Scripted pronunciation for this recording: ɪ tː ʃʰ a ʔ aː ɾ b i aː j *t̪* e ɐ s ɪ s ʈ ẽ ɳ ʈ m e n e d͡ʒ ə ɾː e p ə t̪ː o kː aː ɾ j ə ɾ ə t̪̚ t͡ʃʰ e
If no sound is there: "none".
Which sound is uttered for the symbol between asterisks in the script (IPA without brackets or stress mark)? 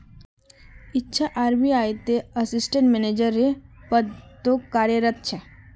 t̪